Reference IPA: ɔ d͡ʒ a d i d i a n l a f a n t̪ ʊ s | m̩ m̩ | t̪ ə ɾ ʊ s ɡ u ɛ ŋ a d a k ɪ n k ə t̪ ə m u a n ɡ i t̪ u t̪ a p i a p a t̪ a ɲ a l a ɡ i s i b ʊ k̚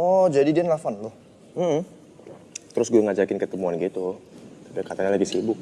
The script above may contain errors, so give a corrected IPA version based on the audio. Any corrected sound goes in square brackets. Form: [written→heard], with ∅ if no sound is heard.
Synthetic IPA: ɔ d͡ʒ a d i d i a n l a f a n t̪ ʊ [s→h] | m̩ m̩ | t̪ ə ɾ ʊ s ɡ u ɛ ŋ a [d→d͡ʒ] a k ɪ n k ə t̪ ə m u a n ɡ i t̪ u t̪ a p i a [p→k] a t̪ a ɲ a l a ɡ i s i b ʊ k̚